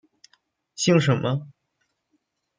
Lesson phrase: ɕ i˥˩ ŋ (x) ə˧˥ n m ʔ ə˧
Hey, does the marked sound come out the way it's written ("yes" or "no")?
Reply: no